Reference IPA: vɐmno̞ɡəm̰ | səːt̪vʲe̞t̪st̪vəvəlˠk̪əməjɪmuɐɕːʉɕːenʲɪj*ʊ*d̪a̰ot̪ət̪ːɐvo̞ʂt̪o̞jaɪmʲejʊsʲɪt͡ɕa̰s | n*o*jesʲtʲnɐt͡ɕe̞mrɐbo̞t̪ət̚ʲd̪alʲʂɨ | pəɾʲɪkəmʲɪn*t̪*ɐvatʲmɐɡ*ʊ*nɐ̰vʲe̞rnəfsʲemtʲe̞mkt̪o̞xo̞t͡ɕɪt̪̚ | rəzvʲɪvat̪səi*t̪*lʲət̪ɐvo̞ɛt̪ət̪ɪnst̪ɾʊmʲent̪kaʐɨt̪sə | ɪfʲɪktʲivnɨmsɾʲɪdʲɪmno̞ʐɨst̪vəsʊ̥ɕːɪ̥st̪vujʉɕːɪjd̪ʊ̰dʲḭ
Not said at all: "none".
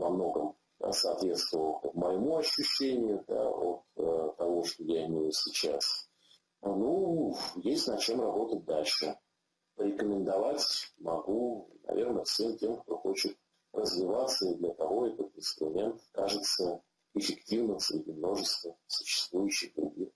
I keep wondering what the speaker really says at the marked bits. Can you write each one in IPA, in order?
ʊ, u, d̪, u, d̪

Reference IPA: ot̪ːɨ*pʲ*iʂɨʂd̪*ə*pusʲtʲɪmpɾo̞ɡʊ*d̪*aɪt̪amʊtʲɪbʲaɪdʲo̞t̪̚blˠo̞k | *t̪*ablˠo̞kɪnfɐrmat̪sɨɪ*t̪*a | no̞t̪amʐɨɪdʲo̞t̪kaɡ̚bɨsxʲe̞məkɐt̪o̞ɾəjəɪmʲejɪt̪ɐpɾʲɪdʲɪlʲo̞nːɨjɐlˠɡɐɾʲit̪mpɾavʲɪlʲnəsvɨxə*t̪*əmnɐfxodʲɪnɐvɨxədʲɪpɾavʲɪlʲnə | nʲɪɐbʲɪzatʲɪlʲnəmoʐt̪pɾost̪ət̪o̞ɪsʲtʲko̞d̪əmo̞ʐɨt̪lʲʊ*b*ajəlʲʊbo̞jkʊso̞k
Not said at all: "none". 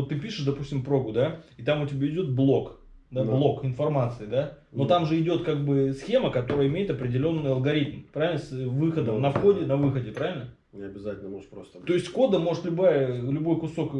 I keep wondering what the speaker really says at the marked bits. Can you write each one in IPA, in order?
pʲ, ɐ, d̪, d̪, d̪, d̪, b

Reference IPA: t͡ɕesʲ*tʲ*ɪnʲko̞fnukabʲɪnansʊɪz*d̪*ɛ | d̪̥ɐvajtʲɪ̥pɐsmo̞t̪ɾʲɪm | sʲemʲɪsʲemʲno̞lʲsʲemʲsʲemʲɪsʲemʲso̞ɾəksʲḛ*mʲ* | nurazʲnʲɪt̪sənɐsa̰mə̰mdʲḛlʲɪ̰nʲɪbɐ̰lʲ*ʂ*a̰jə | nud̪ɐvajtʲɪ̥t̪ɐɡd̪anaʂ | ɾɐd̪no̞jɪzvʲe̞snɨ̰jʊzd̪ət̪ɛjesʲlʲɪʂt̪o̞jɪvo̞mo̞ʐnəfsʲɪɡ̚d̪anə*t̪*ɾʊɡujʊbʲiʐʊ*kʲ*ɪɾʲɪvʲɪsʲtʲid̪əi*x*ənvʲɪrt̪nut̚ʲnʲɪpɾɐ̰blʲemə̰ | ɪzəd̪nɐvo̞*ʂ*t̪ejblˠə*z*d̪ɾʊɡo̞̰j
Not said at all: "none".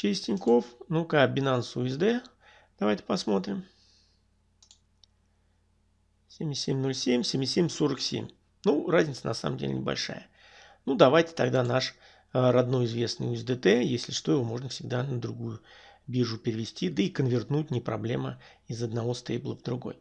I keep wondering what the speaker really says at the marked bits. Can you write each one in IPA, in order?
tʲ, d̪, mʲ, ʂ, d̪, pʲ, k, s, v

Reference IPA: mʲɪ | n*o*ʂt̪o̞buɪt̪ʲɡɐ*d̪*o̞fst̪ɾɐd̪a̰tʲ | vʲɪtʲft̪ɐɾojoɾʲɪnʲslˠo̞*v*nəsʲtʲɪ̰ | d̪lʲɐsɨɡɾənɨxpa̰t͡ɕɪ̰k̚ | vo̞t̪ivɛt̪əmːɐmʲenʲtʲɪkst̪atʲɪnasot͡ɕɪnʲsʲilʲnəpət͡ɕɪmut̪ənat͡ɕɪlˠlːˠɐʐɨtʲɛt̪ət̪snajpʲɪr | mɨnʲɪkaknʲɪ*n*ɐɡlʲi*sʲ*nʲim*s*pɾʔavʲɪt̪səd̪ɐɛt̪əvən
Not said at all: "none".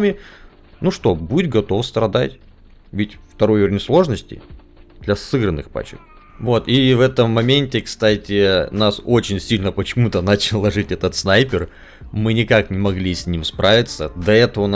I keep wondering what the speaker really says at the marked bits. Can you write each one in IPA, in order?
u, t̪, ʐ, m, sʲ, s

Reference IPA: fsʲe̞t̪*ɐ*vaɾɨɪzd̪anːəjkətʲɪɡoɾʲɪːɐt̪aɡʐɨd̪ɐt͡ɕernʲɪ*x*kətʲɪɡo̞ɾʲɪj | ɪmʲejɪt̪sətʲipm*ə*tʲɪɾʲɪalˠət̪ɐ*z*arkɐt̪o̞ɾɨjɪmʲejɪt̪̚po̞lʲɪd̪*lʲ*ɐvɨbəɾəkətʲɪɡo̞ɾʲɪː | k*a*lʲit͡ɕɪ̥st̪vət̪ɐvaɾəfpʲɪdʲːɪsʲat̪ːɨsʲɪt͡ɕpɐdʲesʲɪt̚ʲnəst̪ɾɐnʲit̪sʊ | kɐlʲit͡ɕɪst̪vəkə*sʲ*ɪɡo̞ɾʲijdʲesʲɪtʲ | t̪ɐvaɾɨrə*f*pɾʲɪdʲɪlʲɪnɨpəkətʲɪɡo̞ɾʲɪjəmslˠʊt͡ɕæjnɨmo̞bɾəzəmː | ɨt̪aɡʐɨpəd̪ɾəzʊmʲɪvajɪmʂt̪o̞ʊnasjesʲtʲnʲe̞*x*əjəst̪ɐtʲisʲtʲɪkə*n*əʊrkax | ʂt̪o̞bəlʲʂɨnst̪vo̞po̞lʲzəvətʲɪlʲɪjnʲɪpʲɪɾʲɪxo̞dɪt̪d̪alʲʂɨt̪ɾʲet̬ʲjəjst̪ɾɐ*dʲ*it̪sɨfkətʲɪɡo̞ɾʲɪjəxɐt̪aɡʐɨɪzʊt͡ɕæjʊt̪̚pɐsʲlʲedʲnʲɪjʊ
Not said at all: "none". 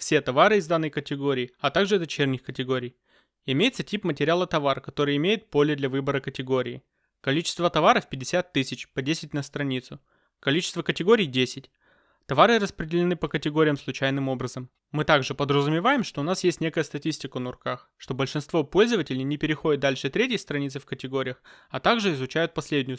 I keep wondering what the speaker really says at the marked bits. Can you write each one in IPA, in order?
ɐ, x, ə, v, lʲ, ɐ, tʲ, s, k, n, nʲ

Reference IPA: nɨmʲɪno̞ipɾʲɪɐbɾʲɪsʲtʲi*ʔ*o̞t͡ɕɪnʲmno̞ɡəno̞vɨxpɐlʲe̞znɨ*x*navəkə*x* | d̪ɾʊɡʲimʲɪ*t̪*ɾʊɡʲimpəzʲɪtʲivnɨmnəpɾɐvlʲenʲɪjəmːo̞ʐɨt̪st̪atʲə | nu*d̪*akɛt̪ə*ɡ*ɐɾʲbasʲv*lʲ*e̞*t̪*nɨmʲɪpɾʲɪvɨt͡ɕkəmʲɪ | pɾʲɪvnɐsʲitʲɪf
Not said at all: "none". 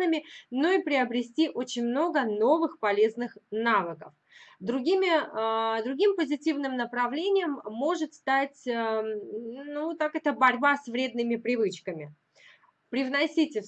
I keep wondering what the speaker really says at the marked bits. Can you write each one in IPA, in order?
ʔ, x, f, d̪, t̪, b, ɾʲ, d̪

